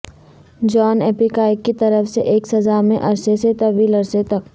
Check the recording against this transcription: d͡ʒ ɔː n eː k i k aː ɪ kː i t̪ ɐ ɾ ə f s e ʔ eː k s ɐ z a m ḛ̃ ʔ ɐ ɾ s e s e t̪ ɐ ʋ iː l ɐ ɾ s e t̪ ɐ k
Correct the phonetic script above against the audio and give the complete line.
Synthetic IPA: d͡ʒ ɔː n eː p i k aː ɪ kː i t̪ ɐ ɾ ə f s e ʔ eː k s ɐ z a m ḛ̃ ʔ ɐ ɾ s e s e t̪ ɐ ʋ iː l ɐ ɾ s e t̪ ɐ k

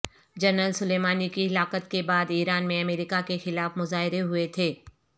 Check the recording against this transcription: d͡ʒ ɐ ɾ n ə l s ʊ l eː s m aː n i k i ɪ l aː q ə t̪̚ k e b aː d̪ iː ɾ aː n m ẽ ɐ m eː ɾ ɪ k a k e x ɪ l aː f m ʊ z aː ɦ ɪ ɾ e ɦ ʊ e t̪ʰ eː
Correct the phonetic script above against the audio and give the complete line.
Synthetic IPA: d͡ʒ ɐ ɾ n ə l s ʊ l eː m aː n i k i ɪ l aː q ə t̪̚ k e b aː d̪ iː ɾ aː n m ẽ ɐ m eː ɾ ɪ k a k e x ɪ l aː f m ʊ z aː ɦ ɪ ɾ e ɦ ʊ e t̪ʰ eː

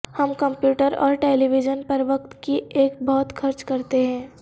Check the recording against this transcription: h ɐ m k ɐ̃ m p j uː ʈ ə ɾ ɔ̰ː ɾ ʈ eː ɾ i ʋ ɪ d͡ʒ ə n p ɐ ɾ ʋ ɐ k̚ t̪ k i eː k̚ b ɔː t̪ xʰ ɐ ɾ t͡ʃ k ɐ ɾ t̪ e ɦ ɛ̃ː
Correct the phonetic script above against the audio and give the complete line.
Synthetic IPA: h ɐ m k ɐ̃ m p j uː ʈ ə ɾ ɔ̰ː ɾ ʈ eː l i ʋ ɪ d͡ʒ ə n p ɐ ɾ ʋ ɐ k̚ t̪ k i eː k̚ b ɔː t̪ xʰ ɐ ɾ t͡ʃ k ɐ ɾ t̪ e ɦ ɛ̃ː

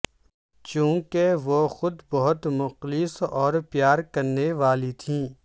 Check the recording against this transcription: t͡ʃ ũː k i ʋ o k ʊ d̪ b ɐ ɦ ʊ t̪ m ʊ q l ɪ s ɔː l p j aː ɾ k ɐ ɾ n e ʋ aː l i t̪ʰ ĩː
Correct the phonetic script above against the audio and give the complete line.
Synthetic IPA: t͡ʃ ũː k e ʋ o x ʊ d̪ b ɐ ɦ ʊ t̪ m ʊ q l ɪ s ɔː ɾ p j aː ɾ k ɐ ɾ n e ʋ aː l i t̪ʰ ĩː

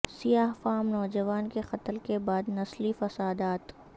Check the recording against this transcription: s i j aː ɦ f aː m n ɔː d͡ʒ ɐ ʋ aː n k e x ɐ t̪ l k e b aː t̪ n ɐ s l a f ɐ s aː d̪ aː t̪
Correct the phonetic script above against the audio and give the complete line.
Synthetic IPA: s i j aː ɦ f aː m n ɔː d͡ʒ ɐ ʋ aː n k e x ɐ t̪ l k e b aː d̪ n ɐ s l i f ɐ s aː d̪ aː t̪

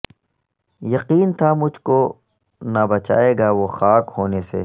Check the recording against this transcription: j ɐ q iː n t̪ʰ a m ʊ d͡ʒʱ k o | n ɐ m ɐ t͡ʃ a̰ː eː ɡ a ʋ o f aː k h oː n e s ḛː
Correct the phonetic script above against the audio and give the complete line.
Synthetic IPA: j ɐ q iː n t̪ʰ a m ʊ d͡ʒʱ k o | n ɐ b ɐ t͡ʃ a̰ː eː ɡ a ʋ o x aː k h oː n e s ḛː

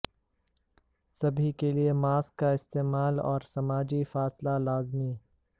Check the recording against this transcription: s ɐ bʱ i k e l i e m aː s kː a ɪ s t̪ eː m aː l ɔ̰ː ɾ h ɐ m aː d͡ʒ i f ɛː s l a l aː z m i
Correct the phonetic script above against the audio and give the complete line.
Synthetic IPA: s ɐ bʱ i k e l i e m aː s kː a ɪ s t̪ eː m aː l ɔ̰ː ɾ s ɐ m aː d͡ʒ i f aː s l a l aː z m i

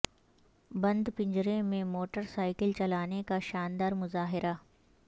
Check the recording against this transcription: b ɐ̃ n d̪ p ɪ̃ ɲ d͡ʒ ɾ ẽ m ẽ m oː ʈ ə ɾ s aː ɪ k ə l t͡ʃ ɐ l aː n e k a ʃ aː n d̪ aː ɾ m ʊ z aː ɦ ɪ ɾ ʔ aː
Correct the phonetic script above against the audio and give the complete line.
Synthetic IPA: b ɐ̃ n d̪ p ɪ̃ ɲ d͡ʒ ɾ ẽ m ẽ m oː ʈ ə ɾ s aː ɪ k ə l t͡ʃ ɐ l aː n e k a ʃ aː n d̪ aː ɾ m ʊ z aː ɦ ɪ ɾ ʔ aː

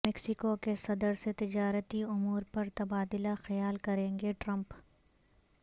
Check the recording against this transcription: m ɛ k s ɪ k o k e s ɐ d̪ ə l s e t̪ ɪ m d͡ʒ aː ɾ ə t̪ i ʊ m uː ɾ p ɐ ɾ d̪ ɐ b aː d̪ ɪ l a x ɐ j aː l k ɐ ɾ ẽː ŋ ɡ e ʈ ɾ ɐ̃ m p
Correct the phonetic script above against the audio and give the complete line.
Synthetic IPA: m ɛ k s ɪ k o k e s ɐ d̪ ə ɾ s e t̪ ɪ d͡ʒ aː ɾ ə t̪ i ʊ m uː ɾ p ɐ ɾ t̪ ɐ b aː d̪ ɪ l a x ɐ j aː l k ɐ ɾ ẽː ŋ ɡ e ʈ ɾ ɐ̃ m p

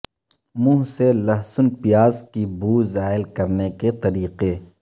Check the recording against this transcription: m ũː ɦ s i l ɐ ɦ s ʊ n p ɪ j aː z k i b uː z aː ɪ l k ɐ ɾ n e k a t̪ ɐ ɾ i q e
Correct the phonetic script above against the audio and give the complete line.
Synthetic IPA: m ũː ɦ s e l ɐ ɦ s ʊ n p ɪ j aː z k i b uː z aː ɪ l k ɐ ɾ n e k e t̪ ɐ ɾ iː q e

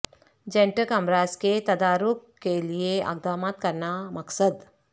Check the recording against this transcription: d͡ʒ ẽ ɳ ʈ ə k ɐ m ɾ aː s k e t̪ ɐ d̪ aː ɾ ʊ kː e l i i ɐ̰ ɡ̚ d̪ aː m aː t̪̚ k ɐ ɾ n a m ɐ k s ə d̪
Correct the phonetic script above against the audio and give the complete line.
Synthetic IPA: d͡ʒ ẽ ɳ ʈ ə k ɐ m ɾ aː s k e t̪ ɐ d̪ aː ɾ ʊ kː e l i e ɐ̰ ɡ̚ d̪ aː m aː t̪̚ k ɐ ɾ n a m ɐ k s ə d̪

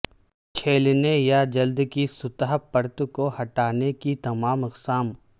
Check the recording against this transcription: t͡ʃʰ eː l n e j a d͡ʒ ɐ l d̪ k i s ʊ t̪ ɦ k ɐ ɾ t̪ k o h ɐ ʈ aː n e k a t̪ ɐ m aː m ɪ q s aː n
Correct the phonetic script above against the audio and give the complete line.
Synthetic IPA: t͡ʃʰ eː l n e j a d͡ʒ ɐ l d̪ k i s ʊ t̪ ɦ p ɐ ɾ t̪ k o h ɐ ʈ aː n e k i t̪ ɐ m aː m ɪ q s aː m

